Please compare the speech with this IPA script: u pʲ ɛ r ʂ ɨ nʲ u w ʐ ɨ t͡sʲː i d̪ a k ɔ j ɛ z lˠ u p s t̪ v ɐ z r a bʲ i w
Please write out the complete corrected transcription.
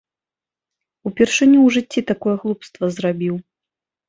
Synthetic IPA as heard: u pʲ ɛ r ʂ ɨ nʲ u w ʐ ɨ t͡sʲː i t̪ a k ɔ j ɛ ɣ lˠ u p s t̪ v ɐ z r a bʲ i w